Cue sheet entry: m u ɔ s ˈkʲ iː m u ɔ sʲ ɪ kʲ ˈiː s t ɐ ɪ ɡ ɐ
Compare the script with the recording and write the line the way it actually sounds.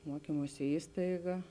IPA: m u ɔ ˈkʲ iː m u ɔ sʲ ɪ ˈiː s t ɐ ɪ ɡ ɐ